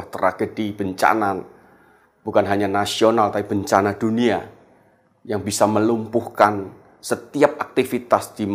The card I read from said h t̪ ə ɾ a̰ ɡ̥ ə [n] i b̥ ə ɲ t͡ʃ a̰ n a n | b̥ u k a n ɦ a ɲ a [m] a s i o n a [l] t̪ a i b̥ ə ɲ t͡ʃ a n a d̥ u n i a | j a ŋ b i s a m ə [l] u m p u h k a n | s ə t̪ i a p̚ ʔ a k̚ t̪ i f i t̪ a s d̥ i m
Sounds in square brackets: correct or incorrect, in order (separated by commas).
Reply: incorrect, incorrect, correct, correct